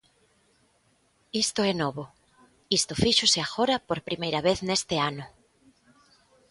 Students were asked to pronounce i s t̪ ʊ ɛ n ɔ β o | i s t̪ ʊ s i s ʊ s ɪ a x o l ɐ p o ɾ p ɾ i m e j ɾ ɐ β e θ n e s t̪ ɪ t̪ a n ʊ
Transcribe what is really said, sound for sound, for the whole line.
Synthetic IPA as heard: i s t̪ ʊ ɛ n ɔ β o | i s t̪ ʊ f i ʃ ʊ s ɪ a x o ɾ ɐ p o ɾ p ɾ i m e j ɾ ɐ β e θ n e s t̪ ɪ a n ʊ

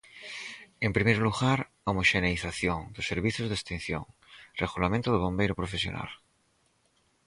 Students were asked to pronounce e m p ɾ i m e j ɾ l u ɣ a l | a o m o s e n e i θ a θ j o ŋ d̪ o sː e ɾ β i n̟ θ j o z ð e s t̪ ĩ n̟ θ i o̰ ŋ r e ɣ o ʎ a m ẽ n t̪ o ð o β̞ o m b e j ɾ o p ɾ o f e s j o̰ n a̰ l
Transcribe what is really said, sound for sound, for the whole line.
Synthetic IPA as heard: e m p ɾ i m e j ɾ l u ɣ a ɾ | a o m o ʃ e n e i θ a θ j o ŋ d̪ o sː e ɾ β i θ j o z ð e s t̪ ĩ n̟ θ j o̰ ŋ r e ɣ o l a m ẽ n t̪ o ð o β̞ o m b e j ɾ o p ɾ o f e s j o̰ n a̰ l

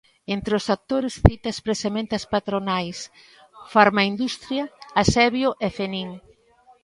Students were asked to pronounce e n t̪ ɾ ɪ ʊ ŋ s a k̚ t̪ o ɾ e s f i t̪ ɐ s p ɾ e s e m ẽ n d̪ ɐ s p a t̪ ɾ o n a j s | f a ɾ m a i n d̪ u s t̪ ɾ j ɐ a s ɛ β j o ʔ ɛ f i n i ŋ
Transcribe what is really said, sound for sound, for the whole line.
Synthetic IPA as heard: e n t̪ ɾ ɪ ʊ s a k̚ t̪ o ɾ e s θ i t̪ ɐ s p ɾ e s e m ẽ n t̪ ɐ s p a t̪ ɾ o n a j s | f a ɾ m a i n d̪ u s t̪ ɾ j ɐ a s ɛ β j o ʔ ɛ f e n i ŋ

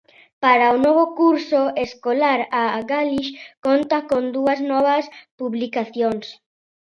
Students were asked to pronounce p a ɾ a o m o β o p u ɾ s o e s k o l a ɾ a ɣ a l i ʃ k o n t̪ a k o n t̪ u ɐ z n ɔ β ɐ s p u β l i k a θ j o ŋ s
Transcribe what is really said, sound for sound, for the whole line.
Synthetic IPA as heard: p a ɾ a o n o β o k u ɾ s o e s k o l a ɾ a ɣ a l i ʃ k o n t̪ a k o n d̪ u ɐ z n ɔ β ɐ s p u β l i k a θ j o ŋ s

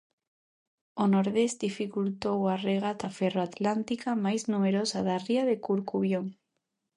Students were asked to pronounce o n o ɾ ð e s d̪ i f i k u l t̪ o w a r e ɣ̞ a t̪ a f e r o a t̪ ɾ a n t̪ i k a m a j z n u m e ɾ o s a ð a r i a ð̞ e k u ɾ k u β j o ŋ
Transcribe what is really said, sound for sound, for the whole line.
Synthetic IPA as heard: o n o ɾ ð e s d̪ i f i k u l t̪ o w a r e ɣ̞ a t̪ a f e r o a t̪ l a n t̪ i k a m a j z n u m e ɾ o s a ð a r i a ð̞ e k u ɾ k u β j o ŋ

